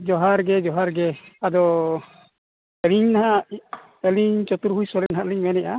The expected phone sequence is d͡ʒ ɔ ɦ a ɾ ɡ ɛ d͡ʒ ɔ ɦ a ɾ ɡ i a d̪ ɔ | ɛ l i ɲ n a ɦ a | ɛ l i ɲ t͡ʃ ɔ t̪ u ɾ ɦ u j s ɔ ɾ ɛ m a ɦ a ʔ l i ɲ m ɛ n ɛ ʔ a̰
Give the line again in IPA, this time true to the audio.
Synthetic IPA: d͡ʒ ɔ ɦ a ɾ ɡ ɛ d͡ʒ ɔ ɦ a ɾ ɡ ɛ a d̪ ɔ | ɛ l i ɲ n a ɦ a | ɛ l i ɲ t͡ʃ ɔ t̪ u ɾ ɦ u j s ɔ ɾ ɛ n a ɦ a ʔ l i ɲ m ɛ n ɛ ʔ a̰